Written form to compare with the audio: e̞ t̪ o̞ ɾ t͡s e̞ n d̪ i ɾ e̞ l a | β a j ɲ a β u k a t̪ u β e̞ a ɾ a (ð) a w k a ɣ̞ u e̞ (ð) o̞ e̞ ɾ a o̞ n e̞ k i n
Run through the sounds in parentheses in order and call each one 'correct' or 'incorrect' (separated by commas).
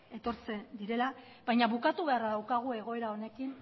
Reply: correct, incorrect